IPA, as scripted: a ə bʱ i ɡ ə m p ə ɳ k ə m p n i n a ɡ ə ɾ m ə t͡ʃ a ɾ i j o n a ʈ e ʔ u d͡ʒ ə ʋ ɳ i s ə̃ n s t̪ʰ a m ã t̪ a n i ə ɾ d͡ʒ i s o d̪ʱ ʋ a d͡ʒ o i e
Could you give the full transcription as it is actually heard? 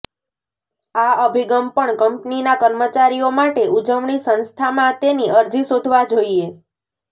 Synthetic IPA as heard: a ə bʱ i ɡ ə m p ə ɳ k ə m p n i n a k ə ɾ m ə t͡ʃ a ɾ i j o m a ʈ e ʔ u d͡ʒ ə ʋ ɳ i s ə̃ n s t̪ʰ a m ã t̪ e n i ə ɾ d͡ʒ i s o d̪ʱ ʋ a d͡ʒ o i e